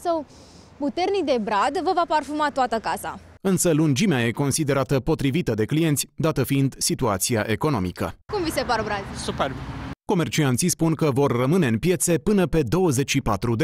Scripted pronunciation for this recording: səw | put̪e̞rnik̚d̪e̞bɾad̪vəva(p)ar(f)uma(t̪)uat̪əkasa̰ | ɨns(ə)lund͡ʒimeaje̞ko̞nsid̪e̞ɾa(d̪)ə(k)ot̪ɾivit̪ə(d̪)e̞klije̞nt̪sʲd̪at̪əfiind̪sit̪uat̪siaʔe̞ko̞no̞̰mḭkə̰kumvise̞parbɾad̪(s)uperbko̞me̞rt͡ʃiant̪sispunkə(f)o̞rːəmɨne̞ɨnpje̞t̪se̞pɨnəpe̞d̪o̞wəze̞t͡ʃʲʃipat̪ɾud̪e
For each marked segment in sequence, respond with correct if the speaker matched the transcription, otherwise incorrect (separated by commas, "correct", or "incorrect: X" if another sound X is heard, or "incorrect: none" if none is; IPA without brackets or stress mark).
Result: correct, correct, correct, correct, incorrect: t̪, incorrect: p, correct, correct, incorrect: v